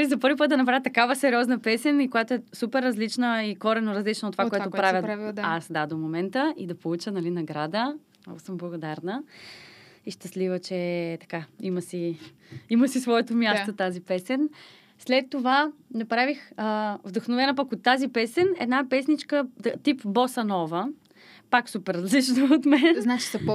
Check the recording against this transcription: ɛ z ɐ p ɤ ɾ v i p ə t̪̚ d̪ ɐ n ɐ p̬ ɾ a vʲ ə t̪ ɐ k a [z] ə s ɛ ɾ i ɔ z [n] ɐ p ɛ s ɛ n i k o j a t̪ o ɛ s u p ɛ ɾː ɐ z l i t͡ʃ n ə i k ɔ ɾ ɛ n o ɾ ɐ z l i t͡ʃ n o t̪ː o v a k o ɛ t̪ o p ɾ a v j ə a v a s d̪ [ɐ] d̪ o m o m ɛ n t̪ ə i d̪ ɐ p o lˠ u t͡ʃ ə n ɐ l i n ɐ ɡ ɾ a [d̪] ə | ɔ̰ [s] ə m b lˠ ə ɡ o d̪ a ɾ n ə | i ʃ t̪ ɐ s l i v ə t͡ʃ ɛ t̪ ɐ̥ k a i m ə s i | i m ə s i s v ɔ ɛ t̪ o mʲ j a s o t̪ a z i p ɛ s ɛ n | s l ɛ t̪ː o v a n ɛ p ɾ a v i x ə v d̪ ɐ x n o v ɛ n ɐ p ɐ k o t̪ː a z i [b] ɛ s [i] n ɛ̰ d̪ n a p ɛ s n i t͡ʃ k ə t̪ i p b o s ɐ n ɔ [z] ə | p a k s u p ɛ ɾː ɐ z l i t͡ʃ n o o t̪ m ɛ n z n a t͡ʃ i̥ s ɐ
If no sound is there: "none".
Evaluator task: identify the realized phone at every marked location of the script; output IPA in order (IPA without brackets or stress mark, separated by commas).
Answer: v, n, a, d̪, s, p, ɛ, v